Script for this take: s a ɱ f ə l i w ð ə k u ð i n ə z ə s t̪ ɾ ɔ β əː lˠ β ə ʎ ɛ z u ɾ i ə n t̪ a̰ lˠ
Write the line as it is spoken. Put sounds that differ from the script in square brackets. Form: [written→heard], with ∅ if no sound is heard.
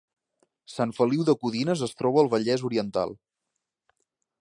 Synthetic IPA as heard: s a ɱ f ə l i w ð ə k u ð i n ə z ə s t̪ ɾ ɔ β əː lˠ β ə ʎ ɛ z u ɾ i ə n t̪ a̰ lˠ